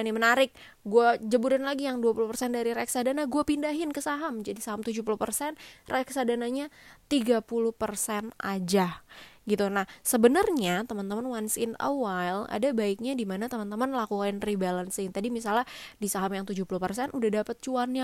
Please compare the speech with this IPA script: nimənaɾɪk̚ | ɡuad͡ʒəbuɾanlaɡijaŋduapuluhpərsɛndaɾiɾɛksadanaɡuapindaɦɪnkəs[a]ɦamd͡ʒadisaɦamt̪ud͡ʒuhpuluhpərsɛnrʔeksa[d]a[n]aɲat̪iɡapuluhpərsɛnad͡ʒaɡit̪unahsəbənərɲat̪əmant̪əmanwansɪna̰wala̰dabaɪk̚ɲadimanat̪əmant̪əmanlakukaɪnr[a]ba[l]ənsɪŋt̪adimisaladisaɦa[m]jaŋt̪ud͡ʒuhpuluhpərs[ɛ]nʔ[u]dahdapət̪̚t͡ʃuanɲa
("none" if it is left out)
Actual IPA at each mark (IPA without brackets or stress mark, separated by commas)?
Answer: a, d, n, i, l, m, ɛ, u